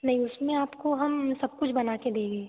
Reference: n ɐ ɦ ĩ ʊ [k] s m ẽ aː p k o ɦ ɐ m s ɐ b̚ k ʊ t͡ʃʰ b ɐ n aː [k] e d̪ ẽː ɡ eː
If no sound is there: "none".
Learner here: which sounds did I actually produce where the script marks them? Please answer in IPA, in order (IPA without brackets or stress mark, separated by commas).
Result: none, k